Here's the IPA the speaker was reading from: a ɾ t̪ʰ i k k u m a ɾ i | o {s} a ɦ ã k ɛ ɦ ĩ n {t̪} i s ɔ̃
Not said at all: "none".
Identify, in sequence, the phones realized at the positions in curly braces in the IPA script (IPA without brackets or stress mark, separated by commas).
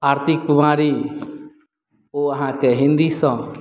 none, d̪